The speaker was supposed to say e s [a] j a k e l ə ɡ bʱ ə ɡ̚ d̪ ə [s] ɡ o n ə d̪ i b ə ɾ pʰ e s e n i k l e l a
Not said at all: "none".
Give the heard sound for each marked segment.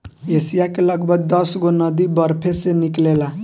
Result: i, s

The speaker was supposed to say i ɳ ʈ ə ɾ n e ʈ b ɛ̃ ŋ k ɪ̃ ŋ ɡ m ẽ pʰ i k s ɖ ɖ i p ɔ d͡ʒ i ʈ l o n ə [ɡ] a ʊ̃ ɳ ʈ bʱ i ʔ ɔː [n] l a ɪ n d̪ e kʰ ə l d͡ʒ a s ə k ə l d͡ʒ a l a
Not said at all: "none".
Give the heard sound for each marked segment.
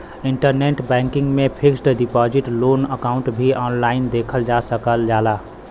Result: k, n

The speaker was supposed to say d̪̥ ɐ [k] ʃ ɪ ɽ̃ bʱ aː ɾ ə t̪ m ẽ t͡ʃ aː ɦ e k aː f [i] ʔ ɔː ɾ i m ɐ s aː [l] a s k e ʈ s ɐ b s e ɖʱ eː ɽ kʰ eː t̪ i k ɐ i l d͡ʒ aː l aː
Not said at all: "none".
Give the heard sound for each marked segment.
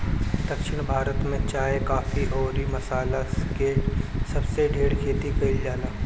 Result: k, i, l

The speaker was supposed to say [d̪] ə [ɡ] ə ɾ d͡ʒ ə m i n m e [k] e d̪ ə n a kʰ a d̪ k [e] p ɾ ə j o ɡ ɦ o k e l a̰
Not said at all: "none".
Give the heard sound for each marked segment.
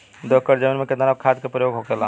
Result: d̪, k, k, e

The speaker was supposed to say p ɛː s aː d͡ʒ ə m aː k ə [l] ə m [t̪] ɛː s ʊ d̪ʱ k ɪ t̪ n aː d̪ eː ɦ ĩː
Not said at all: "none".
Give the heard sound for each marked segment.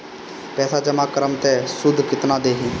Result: ɾ, t̪

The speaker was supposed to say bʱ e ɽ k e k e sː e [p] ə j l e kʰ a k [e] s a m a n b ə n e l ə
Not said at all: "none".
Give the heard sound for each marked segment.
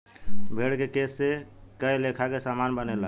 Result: k, e

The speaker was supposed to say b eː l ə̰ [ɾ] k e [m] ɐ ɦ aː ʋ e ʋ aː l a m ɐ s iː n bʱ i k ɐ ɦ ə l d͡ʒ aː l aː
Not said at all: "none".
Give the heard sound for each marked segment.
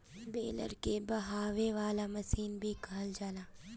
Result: ɾ, b

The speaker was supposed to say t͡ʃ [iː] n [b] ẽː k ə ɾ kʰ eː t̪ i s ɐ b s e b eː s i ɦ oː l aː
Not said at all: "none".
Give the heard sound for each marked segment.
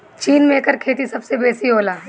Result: iː, m

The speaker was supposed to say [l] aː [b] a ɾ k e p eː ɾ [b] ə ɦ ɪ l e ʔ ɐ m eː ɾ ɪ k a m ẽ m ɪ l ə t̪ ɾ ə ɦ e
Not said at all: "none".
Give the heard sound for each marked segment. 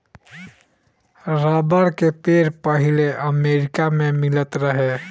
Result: ɾ, b, p

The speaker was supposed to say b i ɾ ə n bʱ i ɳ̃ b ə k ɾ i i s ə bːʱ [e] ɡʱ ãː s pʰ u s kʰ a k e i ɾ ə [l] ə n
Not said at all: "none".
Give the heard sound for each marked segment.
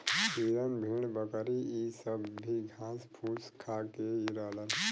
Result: i, l

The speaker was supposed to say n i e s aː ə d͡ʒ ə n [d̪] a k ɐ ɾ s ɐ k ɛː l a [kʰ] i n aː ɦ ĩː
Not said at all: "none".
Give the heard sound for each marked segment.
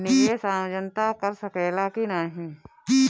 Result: t̪, k

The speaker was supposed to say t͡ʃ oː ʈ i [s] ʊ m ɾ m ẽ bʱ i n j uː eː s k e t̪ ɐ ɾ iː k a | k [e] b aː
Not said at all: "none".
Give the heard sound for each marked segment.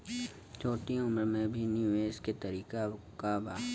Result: none, a

